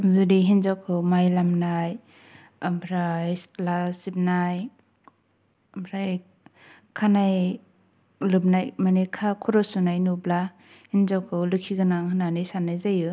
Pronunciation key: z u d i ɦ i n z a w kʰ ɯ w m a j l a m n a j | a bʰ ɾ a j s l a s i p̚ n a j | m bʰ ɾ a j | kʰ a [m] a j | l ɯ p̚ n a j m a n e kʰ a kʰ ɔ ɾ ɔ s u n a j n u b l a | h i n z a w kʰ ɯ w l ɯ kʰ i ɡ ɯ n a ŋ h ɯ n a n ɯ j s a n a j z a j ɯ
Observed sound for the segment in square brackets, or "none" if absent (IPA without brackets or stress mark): n